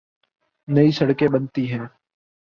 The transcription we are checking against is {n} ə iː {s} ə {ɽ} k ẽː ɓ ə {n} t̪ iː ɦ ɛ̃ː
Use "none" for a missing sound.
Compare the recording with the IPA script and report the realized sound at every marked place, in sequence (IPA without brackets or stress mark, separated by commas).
n, s, ɽ, n